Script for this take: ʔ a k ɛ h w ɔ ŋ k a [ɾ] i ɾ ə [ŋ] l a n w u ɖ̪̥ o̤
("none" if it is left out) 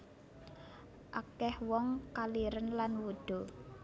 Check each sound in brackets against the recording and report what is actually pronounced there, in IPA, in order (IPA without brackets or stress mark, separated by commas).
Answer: l, n